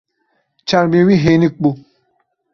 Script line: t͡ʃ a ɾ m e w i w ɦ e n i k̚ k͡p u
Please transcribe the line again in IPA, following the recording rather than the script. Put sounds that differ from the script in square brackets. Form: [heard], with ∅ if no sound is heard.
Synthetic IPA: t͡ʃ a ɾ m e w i [∅] ɦ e n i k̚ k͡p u